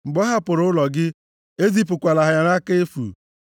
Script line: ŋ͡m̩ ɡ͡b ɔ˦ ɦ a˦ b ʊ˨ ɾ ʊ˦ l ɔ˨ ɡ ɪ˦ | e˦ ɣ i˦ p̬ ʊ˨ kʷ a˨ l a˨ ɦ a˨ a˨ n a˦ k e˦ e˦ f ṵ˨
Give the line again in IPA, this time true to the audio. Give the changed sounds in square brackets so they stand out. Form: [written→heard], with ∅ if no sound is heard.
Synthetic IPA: ŋ͡m̩ ɡ͡b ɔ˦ ɦ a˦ [b→p] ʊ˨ ɾ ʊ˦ l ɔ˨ ɡ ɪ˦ | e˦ [ɣ→z] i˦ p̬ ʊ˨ kʷ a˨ l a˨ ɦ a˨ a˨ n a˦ k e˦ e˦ f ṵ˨